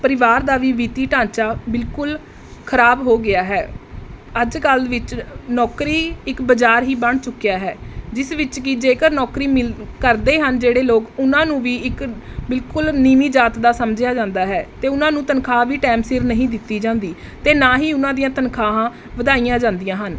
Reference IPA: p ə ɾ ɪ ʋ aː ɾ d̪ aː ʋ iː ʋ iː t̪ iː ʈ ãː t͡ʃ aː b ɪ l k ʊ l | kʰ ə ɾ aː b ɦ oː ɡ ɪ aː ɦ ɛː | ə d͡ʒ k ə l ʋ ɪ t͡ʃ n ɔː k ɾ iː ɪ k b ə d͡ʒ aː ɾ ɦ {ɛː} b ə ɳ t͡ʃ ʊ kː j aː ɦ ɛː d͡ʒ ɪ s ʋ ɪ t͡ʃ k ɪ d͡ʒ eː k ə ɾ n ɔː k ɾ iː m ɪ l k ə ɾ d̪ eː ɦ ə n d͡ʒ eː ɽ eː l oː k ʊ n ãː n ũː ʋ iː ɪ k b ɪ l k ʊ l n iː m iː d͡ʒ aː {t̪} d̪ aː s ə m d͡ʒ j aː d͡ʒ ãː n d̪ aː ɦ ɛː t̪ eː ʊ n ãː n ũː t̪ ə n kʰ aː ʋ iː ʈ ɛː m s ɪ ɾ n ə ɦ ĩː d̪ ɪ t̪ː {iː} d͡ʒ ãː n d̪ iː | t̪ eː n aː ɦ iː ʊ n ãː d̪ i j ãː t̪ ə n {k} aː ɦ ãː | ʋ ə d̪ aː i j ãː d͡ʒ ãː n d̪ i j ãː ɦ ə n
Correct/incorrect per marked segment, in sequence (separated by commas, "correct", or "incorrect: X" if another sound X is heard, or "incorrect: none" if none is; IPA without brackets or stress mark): incorrect: iː, correct, correct, incorrect: kʰ